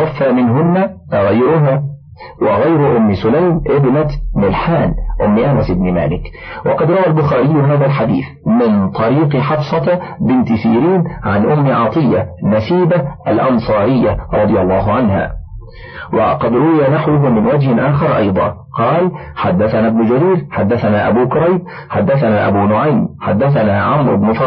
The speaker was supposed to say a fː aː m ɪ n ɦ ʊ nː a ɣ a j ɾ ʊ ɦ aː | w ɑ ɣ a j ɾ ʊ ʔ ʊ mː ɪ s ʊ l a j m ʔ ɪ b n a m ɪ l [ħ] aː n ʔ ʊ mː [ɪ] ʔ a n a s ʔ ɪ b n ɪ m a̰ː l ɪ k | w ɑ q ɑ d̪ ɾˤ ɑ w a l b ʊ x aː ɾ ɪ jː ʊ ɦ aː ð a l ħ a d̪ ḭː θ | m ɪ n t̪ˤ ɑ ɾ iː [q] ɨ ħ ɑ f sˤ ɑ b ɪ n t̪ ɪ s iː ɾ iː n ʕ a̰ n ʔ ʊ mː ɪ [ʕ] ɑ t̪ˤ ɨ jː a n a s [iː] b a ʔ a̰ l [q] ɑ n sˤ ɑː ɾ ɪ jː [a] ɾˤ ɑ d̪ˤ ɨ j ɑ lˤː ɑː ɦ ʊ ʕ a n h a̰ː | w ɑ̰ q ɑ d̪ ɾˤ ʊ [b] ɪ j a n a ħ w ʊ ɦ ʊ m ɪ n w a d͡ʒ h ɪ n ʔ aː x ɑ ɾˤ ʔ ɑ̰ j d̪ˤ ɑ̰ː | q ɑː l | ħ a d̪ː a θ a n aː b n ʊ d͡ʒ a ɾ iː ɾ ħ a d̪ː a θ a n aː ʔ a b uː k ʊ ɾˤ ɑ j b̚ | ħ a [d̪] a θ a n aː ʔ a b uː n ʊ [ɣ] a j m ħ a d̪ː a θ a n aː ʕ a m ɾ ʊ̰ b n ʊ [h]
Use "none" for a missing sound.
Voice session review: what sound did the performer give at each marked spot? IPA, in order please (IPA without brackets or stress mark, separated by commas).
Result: ħ, ɪ, q, ʕ, iː, ʔ, a, w, d̪ː, ʕ, f